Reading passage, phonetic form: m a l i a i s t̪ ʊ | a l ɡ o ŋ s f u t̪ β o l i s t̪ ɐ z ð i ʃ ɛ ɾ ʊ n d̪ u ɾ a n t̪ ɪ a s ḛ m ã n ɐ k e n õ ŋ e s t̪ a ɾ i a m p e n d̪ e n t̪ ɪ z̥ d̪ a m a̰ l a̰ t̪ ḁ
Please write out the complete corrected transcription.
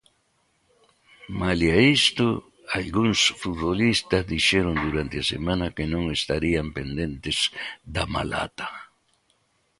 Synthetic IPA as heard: m a l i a i s t̪ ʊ | a l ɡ u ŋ s f u t̪ β o l i s t̪ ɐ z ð i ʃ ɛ ɾ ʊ n d̪ u ɾ a n t̪ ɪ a s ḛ m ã n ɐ k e n õ ŋ e s t̪ a ɾ i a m p e n d̪ e n t̪ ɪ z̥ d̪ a m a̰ l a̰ t̪ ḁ